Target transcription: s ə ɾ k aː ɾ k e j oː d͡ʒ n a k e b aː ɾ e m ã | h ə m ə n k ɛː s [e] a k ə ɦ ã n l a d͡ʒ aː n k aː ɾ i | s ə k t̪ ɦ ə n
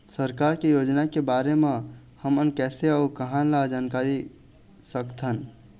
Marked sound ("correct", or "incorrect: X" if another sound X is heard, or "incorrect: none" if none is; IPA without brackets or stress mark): correct